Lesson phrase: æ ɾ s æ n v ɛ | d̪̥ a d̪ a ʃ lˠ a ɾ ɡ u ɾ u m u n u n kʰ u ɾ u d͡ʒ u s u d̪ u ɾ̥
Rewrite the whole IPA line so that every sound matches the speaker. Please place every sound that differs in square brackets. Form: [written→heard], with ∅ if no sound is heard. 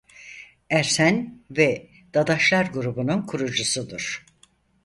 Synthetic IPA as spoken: æ ɾ s æ n v ɛ | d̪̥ a d̪ a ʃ lˠ a ɾ ɡ u ɾ u [m→b] u n u n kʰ u ɾ u d͡ʒ u s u d̪ u ɾ̥